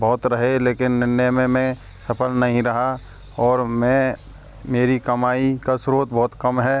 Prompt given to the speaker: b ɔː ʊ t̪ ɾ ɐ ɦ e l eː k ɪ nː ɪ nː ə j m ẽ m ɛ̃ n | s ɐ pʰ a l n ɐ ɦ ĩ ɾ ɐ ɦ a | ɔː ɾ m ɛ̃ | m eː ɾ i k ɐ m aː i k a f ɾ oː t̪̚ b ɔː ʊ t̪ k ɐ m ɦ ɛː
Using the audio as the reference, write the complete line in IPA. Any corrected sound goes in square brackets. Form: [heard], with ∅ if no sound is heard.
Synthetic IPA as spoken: b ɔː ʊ t̪ ɾ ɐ ɦ e l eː k ɪ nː ɪ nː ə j m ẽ m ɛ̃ [∅] | s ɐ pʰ [ə] l n ɐ ɦ ĩ ɾ ɐ ɦ a | ɔː ɾ m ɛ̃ | m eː ɾ i k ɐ m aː i k a [s] ɾ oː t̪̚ b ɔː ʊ t̪ k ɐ m ɦ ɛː